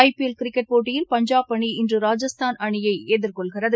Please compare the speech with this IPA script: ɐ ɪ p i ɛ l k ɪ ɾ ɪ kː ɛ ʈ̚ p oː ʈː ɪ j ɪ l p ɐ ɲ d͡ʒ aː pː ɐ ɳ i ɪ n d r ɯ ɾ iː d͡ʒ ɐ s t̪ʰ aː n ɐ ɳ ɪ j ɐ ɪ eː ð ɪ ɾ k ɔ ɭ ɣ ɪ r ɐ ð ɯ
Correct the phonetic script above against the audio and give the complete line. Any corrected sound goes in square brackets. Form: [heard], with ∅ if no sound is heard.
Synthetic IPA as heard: ɐ ɪ p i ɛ l k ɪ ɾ ɪ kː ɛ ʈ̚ p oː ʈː ɪ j ɪ l p ɐ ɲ d͡ʒ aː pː ɐ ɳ i ɪ n d r ɯ ɾ [aː] d͡ʒ ɐ s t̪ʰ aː n ɐ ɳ ɪ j ɐ ɪ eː ð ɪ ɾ k ɔ ɭ ɣ ɪ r ɐ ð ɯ